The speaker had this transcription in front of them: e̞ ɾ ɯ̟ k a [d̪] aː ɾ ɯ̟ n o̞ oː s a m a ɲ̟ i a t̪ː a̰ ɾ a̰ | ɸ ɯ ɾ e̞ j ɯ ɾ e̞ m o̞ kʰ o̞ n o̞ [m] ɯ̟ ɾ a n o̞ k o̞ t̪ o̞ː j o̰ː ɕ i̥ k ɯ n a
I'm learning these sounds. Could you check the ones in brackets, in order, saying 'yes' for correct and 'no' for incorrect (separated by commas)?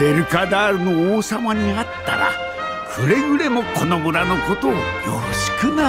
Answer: yes, yes